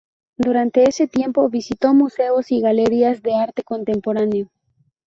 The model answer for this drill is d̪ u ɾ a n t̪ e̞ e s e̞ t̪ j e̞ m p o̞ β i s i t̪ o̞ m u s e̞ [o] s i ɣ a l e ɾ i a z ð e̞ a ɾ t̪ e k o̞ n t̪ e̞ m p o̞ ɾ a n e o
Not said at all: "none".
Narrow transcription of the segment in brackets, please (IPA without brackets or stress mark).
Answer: o